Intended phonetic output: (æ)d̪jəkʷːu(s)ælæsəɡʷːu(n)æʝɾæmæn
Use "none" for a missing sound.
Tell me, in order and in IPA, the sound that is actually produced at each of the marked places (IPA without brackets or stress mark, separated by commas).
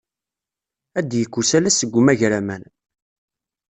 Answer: æ, s, m